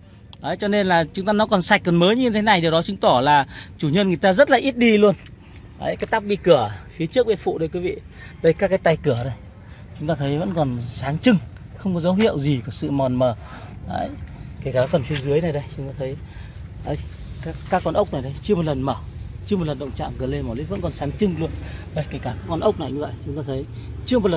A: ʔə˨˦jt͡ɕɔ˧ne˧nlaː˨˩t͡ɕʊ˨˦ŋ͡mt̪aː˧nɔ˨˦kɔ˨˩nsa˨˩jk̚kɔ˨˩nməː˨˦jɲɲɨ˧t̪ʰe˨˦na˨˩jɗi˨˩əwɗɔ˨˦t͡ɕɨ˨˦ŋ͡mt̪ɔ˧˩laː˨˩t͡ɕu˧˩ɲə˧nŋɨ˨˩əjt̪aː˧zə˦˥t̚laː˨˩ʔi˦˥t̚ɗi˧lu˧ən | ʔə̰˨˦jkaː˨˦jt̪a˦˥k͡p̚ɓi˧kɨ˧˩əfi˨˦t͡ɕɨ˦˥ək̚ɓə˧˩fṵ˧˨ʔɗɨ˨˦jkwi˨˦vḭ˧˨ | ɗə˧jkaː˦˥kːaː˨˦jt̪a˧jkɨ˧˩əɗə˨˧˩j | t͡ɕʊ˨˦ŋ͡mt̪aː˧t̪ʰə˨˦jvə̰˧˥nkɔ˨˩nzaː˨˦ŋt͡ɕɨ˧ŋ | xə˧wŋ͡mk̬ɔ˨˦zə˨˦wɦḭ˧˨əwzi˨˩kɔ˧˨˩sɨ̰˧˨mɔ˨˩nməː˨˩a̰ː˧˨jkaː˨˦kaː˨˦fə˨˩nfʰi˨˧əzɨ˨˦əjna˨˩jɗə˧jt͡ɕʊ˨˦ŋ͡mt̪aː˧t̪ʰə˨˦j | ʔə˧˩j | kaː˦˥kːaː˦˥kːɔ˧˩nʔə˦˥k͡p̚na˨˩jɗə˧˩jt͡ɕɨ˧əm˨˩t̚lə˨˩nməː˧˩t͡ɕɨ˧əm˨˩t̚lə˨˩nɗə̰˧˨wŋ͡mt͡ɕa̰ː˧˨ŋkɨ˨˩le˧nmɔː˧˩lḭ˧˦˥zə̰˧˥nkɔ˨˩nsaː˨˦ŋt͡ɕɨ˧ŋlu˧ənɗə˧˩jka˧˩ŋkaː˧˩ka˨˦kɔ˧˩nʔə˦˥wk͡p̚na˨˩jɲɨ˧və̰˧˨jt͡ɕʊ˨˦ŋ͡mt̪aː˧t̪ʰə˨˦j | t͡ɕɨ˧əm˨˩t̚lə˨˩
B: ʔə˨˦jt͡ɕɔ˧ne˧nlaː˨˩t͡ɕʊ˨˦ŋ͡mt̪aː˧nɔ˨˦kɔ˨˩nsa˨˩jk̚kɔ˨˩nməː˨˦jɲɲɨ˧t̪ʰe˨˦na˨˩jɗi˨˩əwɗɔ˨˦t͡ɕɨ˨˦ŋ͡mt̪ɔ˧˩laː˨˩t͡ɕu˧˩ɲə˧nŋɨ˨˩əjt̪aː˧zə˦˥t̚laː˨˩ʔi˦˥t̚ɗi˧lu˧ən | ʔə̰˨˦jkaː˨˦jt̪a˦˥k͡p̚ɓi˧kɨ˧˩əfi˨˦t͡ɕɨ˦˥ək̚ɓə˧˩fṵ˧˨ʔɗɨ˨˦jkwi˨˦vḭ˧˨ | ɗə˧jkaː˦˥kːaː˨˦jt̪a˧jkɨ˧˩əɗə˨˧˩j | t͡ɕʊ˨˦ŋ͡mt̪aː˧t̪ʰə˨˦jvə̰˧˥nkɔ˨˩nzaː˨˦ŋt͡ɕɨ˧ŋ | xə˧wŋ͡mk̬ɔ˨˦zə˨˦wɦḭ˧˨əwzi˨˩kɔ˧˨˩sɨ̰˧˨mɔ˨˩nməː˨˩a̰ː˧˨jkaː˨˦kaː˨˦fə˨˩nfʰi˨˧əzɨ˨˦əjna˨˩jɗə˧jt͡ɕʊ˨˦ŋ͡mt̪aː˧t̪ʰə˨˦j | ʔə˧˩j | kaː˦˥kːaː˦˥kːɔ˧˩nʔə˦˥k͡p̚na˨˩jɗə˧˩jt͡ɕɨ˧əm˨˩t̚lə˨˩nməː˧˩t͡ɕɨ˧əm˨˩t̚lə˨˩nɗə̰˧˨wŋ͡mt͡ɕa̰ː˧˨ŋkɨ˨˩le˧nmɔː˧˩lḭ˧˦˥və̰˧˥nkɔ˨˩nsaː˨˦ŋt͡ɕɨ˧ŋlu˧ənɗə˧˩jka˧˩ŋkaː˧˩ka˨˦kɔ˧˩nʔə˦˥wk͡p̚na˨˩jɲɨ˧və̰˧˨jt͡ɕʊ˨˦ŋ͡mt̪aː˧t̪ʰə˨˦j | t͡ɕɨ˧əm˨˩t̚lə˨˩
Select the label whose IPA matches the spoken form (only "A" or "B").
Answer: B